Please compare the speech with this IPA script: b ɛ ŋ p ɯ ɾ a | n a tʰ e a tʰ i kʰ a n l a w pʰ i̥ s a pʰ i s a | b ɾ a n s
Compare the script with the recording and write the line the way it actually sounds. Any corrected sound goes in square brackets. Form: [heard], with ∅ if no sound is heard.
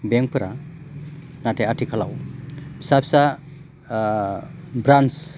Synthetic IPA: b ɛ ŋ p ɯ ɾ a | n a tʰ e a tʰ i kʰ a [∅] l a w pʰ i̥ s a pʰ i s a | b ɾ a n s